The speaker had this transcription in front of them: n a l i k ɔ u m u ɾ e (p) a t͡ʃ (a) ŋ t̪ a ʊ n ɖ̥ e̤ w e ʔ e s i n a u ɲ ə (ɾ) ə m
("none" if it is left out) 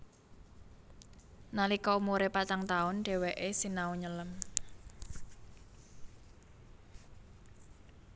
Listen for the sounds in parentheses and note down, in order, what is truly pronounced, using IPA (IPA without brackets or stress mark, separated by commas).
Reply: p, a, l